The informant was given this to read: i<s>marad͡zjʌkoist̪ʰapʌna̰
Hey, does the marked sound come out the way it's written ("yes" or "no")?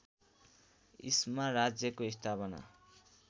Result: yes